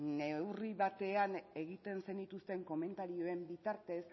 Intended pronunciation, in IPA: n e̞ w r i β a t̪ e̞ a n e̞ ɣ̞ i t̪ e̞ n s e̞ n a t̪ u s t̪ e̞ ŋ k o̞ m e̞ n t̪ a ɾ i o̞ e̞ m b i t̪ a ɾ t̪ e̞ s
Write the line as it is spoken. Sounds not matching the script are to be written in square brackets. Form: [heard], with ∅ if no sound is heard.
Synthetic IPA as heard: n e̞ w r i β a t̪ e̞ a n e̞ ɣ̞ i t̪ e̞ n s e̞ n [i] t̪ u s t̪ e̞ ŋ k o̞ m e̞ n t̪ a ɾ i o̞ e̞ m b i t̪ a ɾ t̪ e̞ s